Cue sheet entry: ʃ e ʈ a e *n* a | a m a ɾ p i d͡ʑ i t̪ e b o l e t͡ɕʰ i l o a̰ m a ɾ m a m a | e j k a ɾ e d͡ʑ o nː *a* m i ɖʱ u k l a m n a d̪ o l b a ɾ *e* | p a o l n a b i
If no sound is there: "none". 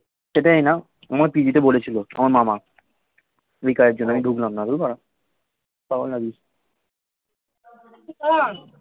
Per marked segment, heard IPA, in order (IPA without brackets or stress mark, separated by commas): n, a, a